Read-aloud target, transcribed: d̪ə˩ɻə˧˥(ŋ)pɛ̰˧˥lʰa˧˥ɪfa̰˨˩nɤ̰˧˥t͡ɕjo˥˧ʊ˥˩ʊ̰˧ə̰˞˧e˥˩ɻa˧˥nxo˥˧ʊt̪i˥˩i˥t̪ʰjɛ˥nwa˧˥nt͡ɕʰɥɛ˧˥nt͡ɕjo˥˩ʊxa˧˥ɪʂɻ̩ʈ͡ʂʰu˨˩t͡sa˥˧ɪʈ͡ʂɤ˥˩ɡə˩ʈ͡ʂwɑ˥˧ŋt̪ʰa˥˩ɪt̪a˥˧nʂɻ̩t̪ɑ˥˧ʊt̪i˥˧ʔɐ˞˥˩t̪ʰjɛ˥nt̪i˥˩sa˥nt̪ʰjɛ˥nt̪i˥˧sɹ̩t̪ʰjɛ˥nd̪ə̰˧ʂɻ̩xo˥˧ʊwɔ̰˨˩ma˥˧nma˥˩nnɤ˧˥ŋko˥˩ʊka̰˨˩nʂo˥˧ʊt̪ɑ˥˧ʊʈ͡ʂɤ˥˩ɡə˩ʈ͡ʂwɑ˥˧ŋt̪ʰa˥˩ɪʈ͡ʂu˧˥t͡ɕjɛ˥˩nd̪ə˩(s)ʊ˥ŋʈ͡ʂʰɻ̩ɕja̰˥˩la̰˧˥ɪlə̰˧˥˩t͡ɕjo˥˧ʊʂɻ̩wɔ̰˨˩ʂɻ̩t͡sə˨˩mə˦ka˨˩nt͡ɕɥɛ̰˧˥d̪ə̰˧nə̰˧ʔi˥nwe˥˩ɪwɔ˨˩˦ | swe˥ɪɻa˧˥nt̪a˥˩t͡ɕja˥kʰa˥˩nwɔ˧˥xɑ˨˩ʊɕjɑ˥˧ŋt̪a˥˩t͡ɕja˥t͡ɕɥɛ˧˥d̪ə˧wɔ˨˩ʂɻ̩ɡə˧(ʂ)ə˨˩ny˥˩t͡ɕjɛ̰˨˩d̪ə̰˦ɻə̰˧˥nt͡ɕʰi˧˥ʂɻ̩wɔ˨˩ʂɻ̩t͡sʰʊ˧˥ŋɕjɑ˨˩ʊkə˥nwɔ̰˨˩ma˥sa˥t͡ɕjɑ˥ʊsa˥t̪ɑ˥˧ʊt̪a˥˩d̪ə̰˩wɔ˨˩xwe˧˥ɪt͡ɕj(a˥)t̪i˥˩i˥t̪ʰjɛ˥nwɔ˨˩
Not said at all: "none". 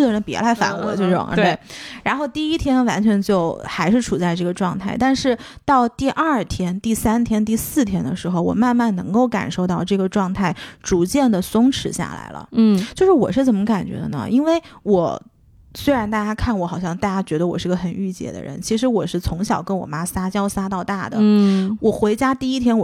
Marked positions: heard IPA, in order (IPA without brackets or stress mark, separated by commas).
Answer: n, s, x, a˥